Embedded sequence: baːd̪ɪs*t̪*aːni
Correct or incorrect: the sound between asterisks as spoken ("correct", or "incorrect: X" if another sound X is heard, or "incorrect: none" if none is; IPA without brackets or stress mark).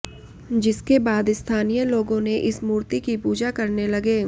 incorrect: t̪ʰ